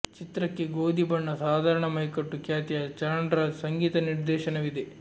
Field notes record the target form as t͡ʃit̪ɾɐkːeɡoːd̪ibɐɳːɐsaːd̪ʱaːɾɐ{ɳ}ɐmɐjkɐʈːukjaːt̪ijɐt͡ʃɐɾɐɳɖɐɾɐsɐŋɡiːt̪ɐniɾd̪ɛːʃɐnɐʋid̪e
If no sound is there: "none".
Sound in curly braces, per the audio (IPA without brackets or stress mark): ɳ